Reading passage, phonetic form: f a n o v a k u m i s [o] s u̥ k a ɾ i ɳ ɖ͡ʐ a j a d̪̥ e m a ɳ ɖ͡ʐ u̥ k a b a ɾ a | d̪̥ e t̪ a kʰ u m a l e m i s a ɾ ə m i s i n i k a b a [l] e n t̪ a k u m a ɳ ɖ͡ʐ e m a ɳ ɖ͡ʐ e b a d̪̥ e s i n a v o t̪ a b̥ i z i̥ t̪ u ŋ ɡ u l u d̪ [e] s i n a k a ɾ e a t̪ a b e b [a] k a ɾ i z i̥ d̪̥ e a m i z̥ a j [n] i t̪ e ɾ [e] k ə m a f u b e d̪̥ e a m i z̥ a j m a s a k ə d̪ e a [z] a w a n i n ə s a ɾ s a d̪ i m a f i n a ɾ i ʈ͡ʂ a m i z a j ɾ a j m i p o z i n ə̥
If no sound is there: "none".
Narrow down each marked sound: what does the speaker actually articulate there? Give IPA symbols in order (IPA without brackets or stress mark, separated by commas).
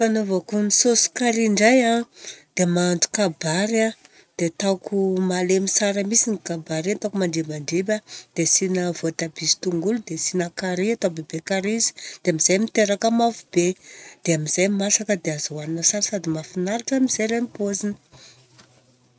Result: o, ɾ, e, e, m, a, z